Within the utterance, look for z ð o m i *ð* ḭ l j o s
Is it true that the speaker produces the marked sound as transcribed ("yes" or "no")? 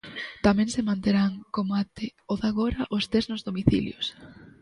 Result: no